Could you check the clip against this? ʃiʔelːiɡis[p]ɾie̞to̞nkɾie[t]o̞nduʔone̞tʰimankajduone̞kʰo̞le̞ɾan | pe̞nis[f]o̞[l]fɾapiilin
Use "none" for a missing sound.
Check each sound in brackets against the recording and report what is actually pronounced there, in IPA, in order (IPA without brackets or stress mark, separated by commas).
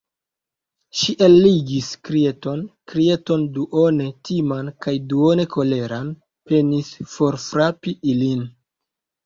k, t, f, ɾ